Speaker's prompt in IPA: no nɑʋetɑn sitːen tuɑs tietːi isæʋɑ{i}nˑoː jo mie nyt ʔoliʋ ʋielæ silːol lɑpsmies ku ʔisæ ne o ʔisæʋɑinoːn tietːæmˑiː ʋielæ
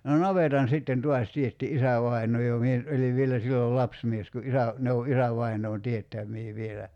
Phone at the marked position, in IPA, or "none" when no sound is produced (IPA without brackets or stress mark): i